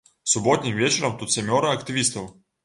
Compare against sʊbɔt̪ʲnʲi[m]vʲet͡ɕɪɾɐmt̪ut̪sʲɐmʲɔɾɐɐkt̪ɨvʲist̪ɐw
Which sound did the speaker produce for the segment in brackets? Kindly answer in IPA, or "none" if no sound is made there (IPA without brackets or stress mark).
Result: m